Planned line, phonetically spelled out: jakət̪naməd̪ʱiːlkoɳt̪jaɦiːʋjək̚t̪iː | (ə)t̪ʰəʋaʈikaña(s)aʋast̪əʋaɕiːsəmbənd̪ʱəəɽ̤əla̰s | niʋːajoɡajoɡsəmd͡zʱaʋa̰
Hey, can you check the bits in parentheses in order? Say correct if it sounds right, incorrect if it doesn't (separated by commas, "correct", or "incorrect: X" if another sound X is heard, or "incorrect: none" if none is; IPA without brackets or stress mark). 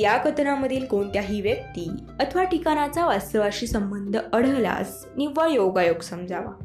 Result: correct, incorrect: t͡s